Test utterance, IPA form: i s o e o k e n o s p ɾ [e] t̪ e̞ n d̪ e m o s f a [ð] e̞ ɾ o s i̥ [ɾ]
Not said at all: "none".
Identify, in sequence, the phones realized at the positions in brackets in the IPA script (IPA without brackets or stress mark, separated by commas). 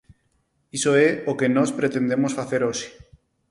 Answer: e, θ, none